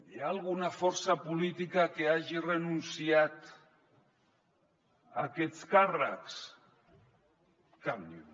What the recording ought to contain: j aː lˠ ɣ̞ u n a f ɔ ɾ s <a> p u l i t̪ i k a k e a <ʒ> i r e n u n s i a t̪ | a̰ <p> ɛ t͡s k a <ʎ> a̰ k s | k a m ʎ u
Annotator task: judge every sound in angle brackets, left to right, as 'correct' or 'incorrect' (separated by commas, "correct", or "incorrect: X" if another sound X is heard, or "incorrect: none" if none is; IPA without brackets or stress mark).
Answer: correct, correct, incorrect: k, incorrect: r